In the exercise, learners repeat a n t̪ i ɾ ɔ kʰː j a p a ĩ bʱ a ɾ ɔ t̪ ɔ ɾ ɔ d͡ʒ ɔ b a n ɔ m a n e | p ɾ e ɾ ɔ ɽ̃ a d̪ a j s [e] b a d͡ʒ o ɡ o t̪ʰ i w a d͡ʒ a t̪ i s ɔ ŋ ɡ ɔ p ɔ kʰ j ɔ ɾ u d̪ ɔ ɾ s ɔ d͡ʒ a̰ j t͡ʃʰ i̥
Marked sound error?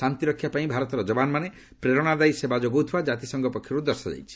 no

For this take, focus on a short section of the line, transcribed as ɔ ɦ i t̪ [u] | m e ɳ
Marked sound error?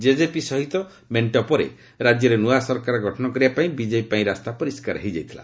yes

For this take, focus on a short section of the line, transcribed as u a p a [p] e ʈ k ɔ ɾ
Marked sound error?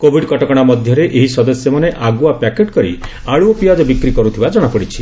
yes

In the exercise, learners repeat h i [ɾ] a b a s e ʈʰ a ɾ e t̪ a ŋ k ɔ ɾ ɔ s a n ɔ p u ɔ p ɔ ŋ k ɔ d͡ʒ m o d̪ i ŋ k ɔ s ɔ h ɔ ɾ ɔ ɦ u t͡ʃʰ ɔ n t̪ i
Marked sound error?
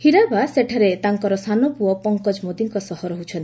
no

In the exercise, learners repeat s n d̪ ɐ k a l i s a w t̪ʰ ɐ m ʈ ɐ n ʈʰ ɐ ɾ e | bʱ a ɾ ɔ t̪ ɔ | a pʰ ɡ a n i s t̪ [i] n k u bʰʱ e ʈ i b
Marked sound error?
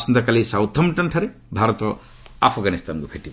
yes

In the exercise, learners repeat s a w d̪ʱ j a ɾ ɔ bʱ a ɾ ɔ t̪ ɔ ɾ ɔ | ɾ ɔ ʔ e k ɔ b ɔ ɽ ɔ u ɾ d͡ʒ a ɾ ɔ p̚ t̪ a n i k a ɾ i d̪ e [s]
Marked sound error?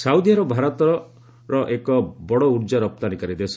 no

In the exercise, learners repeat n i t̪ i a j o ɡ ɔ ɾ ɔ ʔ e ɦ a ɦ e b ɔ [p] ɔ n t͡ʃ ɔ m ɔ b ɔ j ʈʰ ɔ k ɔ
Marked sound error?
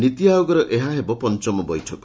no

